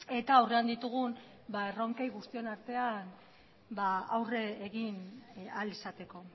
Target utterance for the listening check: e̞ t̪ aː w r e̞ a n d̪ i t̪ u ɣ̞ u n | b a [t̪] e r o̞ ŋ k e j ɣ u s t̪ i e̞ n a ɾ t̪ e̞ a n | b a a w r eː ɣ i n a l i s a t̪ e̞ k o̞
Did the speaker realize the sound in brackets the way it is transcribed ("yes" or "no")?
no